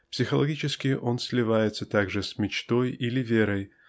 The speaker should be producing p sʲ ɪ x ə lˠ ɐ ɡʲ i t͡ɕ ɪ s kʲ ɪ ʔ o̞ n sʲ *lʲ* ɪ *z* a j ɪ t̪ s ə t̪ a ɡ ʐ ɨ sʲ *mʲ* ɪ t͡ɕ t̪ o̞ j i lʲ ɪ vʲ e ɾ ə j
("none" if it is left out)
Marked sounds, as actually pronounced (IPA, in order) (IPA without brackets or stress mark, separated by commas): lʲ, v, mʲ